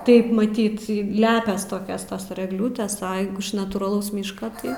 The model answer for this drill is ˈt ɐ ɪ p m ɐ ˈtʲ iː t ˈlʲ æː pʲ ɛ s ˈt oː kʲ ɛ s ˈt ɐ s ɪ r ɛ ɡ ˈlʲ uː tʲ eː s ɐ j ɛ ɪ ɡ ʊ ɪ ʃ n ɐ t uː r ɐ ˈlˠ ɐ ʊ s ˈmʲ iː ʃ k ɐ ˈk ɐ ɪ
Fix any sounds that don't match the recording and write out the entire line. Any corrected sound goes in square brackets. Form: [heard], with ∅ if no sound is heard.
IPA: ˈt ɐ ɪ p m ɐ ˈtʲ iː t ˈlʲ æː pʲ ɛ s ˈt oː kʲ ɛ s ˈt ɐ s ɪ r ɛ ɡ ˈlʲ uː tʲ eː s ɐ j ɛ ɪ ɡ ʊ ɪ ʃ n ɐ t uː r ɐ ˈlˠ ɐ ʊ s ˈmʲ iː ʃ k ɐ [ˈt] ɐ ɪ